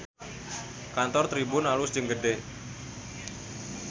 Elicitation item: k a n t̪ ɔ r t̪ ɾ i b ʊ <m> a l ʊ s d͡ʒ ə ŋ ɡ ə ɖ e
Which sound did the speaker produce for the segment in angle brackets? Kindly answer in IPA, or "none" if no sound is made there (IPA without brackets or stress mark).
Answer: n